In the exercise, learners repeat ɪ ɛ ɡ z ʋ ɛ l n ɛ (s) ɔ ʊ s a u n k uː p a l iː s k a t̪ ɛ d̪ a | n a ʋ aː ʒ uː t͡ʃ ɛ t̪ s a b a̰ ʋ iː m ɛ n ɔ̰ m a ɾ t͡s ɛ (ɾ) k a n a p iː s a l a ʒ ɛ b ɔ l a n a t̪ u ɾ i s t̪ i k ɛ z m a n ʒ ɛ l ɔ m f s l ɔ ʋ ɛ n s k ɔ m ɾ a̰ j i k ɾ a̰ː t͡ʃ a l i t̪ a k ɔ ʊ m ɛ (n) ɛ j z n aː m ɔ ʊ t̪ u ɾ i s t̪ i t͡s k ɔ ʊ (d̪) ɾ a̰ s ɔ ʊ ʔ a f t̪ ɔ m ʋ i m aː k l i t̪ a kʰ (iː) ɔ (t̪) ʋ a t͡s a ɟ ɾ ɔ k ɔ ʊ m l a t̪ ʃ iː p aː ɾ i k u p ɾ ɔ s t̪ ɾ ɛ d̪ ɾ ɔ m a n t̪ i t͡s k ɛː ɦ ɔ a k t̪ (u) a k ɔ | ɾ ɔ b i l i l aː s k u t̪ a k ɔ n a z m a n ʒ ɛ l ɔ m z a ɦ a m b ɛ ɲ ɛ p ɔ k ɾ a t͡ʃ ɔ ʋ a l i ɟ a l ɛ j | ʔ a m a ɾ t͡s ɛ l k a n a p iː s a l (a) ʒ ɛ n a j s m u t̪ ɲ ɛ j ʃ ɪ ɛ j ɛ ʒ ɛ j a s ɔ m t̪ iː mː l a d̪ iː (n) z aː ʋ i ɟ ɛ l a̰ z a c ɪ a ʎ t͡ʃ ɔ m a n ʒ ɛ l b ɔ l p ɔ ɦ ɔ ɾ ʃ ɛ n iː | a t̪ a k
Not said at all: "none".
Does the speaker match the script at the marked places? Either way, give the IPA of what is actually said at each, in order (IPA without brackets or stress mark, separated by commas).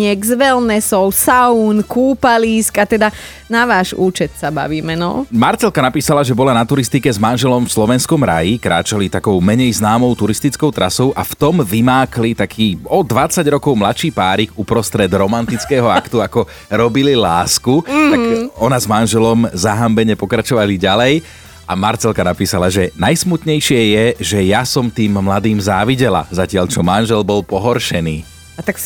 s, l, ɲ, t̪, iː, d̪, u, a, m